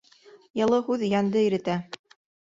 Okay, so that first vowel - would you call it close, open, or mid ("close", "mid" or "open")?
mid